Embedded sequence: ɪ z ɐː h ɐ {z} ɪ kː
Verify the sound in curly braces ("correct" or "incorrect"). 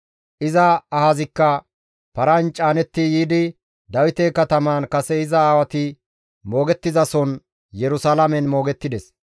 correct